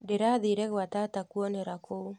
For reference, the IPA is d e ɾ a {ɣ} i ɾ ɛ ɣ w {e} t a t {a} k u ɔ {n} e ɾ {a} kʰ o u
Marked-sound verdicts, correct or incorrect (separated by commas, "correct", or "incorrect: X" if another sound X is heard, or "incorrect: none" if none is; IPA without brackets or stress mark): incorrect: ð, incorrect: a, correct, correct, correct